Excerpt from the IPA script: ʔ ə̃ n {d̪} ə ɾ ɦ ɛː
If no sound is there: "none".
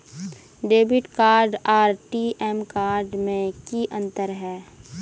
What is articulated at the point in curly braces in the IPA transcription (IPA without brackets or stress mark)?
t̪